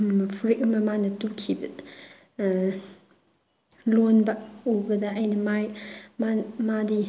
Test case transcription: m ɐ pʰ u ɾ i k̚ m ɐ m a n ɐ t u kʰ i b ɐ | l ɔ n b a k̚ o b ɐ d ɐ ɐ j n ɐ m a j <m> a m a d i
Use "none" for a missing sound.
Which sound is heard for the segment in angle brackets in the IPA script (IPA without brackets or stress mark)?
m